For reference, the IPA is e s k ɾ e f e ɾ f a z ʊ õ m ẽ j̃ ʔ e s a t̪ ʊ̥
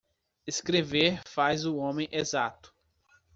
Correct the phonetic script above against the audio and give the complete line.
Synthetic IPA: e s k ɾ e v e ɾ f a z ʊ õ m ẽ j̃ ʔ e z a t̪ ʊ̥